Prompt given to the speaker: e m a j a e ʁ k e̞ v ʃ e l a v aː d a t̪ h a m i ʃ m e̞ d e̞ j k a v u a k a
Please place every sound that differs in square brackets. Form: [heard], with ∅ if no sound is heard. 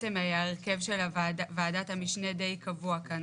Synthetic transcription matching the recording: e m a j a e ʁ k e̞ v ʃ e l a v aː d a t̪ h a m i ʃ [n] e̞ d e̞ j k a v u a k a